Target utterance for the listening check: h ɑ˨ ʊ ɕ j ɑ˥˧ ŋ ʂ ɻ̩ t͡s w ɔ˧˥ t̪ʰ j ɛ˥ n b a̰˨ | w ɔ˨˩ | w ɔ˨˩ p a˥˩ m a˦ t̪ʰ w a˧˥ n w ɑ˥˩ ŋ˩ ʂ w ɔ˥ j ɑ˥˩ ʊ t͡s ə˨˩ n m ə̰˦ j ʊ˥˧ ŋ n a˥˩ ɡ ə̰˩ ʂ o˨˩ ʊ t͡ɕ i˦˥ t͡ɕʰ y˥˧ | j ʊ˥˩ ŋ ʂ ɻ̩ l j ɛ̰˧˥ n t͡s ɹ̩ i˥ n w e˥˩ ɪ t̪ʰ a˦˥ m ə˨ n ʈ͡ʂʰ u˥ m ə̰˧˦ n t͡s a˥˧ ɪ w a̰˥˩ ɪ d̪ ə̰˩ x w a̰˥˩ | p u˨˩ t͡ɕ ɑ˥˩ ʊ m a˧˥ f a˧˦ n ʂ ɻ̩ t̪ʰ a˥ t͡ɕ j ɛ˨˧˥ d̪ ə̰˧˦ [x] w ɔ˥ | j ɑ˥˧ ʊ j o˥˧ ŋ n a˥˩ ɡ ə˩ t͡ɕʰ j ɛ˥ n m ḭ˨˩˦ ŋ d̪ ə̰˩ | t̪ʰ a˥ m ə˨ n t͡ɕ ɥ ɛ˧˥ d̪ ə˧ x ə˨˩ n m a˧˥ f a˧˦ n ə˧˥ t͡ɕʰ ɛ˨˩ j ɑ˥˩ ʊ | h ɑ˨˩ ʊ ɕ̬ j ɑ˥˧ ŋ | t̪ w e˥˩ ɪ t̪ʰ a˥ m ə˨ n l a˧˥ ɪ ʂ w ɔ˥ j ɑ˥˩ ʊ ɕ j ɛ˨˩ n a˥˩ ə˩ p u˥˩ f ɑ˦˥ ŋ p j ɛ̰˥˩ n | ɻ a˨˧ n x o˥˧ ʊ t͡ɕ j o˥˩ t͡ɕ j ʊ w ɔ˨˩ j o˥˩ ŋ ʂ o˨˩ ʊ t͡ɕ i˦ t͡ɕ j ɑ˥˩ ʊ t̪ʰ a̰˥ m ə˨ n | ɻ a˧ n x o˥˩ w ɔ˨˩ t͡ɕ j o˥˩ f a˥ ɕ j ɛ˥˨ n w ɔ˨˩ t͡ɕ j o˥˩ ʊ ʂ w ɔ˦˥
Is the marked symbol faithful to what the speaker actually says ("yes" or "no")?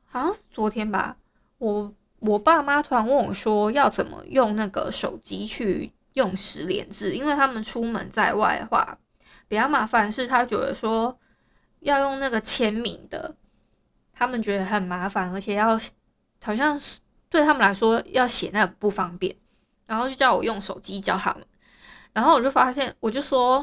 no